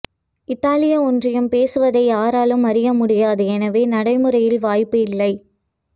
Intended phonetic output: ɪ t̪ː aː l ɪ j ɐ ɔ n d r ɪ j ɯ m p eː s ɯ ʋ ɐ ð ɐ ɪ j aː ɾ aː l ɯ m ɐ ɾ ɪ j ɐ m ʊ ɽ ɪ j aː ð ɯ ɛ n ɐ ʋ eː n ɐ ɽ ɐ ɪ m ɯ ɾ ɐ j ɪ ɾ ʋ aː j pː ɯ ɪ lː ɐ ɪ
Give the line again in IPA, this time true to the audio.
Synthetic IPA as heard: ɪ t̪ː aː l ɪ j ɐ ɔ n d r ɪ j ɯ m p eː s ɯ ʋ ɐ ð ɐ ɪ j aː ɾ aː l ɯ m ɐ ɾ ɪ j ɐ m ʊ ɽ ɪ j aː ð ɯ ɛ n ɐ ʋ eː n ɐ ɽ ɐ ɪ m ɯ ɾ ɐ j ɪ l ʋ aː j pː ɯ ɪ lː ɐ ɪ

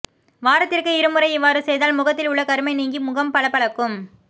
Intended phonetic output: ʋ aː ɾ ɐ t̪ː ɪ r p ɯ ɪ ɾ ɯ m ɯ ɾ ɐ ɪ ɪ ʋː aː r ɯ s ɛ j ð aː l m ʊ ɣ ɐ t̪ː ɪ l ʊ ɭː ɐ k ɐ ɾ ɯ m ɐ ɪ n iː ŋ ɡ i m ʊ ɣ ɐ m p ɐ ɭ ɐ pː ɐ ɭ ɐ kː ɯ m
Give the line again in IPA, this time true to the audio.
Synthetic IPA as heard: ʋ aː ɾ ɐ t̪ː ɪ r k ɯ ɪ ɾ ɯ m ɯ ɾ ɐ ɪ ɪ ʋː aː ɾ ɯ s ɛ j ð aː l m ʊ ɣ ɐ t̪ː ɪ l ʊ ɭː ɐ k ɐ ɾ ɯ m ɐ ɪ n iː ŋ ɡ i m ʊ ɣ ɐ m p ɐ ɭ ɐ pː ɐ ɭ ɐ kː ɯ m

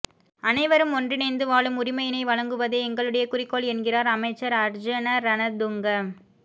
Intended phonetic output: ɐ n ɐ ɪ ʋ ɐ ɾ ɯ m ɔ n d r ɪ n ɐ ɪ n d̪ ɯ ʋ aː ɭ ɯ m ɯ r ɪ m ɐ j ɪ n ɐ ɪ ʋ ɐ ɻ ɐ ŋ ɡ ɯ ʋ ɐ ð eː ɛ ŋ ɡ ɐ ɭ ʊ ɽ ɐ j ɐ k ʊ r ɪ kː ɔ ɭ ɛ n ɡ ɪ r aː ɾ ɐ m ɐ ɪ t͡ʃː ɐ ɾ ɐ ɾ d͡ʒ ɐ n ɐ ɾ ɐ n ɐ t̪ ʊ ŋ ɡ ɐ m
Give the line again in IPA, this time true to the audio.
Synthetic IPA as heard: ɐ n ɐ ɪ ʋ ɐ ɾ ɯ m ɔ n d r ɪ n ɐ ɪ n d̪ ɯ ʋ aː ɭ ɯ m ʊ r ɪ m ɐ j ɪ n ɐ ɪ ʋ ɐ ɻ ɐ ŋ ɡ ɯ ʋ ɐ ð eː ɛ ŋ ɡ ɐ ɭ ɯ ɽ ɐ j ɐ k ʊ r ɪ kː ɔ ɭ ɛ n ɡ ɪ r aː ɾ ɐ m ɐ ɪ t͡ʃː ɐ ɾ ɐ ɾ d͡ʒ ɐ n ɐ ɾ ɐ n ɐ d̪ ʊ ŋ ɡ ɐ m

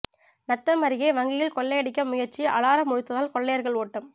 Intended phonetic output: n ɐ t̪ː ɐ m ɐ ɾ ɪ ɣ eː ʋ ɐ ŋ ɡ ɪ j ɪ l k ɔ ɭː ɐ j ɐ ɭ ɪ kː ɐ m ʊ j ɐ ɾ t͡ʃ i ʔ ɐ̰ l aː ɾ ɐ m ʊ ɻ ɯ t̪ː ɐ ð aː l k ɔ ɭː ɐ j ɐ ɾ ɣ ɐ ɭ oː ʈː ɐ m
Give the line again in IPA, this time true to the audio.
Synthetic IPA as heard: n ɐ t̪ː ɐ m ɐ ɾ ɪ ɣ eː ʋ ɐ ŋ ɡ ɪ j ɪ l k ɔ ɭː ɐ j ɐ ɽ ɪ kː ɐ m ʊ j ɐ ɾ t͡ʃ i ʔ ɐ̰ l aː ɾ ɐ m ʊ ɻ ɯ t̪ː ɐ ð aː l k ɔ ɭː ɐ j ɐ ɾ ɣ ɐ ɭ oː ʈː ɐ m

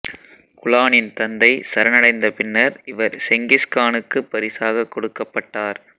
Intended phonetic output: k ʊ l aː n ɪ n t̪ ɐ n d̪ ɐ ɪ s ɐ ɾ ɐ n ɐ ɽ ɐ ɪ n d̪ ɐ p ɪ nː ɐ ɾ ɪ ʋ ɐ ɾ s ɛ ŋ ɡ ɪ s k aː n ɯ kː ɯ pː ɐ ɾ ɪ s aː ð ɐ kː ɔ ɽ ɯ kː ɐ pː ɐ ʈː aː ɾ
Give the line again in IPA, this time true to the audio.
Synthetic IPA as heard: k ʊ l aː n ɪ n t̪ ɐ n d̪ ɐ ɪ s ɐ ɾ ɐ n ɐ ɽ ɐ ɪ n d̪ ɐ p ɪ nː ɐ ɾ ɪ ʋ ɐ ɾ s ɛ ŋ ɡ ɪ s k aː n ɯ kː ɯ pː ɐ ɾ ɪ s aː ɣ ɐ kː ɔ ɽ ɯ kː ɐ pː ɐ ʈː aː ɾ

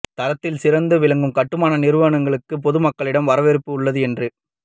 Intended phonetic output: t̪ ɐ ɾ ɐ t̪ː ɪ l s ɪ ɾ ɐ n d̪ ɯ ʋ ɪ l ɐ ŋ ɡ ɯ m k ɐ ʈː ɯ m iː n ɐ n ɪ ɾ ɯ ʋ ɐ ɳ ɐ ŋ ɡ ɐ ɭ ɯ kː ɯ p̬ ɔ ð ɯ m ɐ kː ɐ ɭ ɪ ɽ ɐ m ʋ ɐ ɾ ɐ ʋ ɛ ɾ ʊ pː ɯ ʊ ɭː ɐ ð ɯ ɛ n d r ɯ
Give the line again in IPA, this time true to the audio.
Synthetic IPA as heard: t̪ ɐ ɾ ɐ t̪ː ɪ l s ɪ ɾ ɐ n d̪ ɯ ʋ ɪ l ɐ ŋ ɡ ɯ m k ɐ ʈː ɯ m aː n ɐ n ɪ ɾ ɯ ʋ ɐ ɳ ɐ ŋ ɡ ɐ ɭ ɯ kː ɯ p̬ ɔ ð ɯ m ɐ kː ɐ ɭ ɪ ɽ ɐ m ʋ ɐ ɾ ɐ ʋ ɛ ɾ ɯ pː ɯ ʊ ɭː ɐ ð ɯ ɛ n d r ɯ

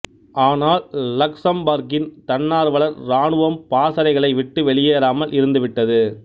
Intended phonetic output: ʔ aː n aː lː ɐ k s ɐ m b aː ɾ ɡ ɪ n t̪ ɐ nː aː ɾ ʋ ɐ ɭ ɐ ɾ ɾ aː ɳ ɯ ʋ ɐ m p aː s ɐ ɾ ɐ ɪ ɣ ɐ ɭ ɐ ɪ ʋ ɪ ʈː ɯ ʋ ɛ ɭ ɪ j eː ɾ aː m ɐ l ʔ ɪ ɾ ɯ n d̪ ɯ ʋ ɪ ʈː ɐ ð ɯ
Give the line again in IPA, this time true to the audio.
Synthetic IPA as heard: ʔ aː n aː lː ɐ k s ɐ m b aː ɾ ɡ ɪ n t̪ ɐ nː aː ɾ ʋ ɐ ɭ ɐ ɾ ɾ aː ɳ ɯ ʋ ɐ m p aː s ɐ ɾ ɐ ɪ ɣ ɐ ɭ ɐ ɪ ʋ ɪ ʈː ɯ ʋ ɛ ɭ ɪ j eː ɾ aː m ɐ l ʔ ɪ ɾ ɯ n d̪ ɯ ʋ ɪ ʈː ɐ ð ɯ

